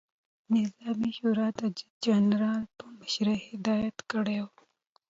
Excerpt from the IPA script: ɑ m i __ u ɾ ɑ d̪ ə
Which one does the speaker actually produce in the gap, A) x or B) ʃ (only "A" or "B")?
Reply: B